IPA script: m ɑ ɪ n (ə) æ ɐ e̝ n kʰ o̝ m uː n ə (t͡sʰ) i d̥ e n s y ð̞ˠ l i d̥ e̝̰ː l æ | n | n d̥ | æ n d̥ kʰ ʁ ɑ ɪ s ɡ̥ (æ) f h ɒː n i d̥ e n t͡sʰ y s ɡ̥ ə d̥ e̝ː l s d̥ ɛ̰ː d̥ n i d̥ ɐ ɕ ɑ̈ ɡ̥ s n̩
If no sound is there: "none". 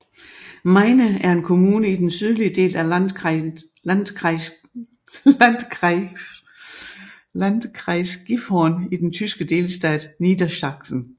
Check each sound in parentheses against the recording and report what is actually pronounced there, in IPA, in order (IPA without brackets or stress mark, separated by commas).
ə, none, i